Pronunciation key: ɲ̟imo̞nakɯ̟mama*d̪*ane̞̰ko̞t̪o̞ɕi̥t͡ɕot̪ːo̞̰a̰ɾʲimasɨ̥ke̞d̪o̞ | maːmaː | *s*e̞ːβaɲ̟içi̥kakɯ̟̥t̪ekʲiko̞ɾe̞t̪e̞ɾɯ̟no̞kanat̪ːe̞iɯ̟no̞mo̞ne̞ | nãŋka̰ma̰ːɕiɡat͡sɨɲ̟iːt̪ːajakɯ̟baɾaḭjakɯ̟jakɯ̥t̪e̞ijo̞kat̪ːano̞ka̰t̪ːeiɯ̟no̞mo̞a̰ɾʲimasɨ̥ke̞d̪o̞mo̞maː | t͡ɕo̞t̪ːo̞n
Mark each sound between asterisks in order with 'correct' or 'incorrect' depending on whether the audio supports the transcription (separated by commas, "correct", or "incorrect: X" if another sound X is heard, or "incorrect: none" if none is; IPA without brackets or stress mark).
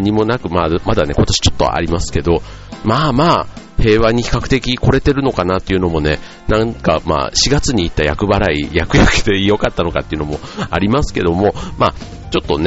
correct, incorrect: h